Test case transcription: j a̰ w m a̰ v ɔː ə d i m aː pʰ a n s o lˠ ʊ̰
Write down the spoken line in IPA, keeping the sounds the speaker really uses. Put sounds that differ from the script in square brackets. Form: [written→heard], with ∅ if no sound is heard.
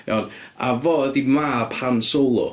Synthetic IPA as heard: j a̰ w [m→n] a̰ v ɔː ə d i m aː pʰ a n s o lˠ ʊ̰